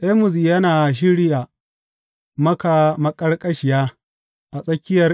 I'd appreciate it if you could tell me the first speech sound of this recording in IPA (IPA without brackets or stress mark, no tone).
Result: ʔ